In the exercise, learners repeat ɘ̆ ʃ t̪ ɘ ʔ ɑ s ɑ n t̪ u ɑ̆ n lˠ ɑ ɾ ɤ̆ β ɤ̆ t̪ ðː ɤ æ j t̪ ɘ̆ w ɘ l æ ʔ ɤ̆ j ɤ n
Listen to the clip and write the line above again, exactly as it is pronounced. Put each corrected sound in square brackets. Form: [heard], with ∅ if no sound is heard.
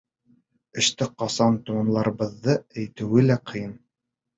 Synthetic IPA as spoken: ɘ̆ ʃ t̪ ɘ [q] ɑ s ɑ n t̪ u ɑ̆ n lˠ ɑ ɾ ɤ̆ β ɤ̆ [∅] ðː ɤ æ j t̪ ɘ̆ w ɘ l æ [q] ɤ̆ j ɤ n